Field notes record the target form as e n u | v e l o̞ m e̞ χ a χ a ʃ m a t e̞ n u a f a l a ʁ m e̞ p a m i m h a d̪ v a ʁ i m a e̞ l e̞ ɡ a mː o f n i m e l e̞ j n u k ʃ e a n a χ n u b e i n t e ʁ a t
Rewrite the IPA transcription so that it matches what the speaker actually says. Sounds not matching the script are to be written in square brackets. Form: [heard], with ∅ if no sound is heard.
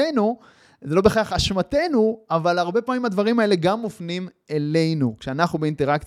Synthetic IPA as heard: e n u | [z] e l o̞ [b] e̞ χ a χ a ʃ m a t e̞ n u a [v] a l a ʁ [b] e̞ p a m i m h a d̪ v a ʁ i m a e̞ l e̞ ɡ a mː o f n i m e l e̞ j n u k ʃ e a n a χ n u b e i n t e ʁ a [k]